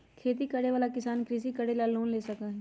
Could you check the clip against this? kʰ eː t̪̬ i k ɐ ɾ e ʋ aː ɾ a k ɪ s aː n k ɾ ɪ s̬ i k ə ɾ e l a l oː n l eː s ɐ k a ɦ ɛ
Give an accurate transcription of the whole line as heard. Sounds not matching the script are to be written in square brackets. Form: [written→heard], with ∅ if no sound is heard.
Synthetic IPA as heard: kʰ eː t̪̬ i k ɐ [ɾ→ɽ] e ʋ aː [ɾ→l] a k ɪ s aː n k ɾ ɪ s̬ i k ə [ɾ→ɽ] e l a l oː n l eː s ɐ k a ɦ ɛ